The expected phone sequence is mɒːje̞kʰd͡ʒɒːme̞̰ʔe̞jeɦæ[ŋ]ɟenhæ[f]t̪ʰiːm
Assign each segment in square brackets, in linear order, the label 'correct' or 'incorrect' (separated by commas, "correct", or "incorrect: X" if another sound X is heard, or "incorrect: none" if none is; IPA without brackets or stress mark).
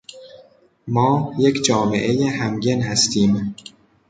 incorrect: m, incorrect: s